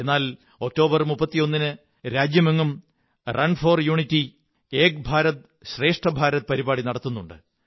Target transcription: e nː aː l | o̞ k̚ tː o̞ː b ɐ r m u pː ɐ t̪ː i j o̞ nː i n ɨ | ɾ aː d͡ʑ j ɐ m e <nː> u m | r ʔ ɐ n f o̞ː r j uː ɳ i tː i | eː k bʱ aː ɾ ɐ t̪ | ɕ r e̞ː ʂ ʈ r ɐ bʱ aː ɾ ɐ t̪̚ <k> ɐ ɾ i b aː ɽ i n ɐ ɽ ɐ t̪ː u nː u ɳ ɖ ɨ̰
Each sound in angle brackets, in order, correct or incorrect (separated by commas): incorrect, incorrect